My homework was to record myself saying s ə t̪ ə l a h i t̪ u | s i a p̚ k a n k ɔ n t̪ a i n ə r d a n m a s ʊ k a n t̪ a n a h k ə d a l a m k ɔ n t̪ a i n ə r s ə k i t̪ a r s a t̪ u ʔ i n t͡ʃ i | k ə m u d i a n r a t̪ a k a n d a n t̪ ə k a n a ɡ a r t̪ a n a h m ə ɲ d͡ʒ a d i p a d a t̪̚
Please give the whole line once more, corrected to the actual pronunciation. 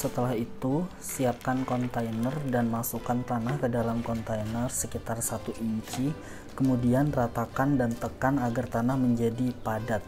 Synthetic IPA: s ə t̪ ə l a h i t̪ u | s i a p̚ k a n k ɔ n t̪ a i n ə r d a n m a s u k a n t̪ a n a h k ə d a l a m k ɔ n t̪ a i n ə r s ə k i t̪ a r s a t̪ u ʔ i ɲ t͡ʃ i | k ə m u d i a n r a t̪ a k a n d a n t̪ ə k a n a ɡ a r t̪ a n a h m ə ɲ d͡ʒ a d i p a d a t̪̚